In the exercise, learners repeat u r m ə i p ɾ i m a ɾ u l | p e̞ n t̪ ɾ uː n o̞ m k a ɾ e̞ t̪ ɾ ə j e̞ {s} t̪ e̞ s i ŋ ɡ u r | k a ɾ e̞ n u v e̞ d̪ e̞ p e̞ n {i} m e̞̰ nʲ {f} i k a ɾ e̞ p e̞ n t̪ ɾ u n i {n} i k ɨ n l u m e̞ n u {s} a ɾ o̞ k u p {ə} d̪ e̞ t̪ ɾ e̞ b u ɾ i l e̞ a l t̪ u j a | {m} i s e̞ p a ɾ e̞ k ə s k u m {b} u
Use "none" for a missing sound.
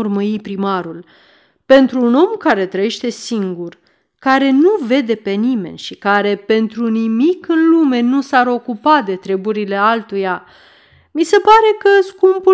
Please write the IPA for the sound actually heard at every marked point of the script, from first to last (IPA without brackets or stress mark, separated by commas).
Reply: ʃ, i, ʃ, m, s, a, m, p